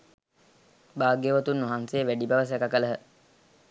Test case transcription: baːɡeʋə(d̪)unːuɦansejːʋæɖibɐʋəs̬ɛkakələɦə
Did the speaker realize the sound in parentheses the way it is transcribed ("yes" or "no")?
no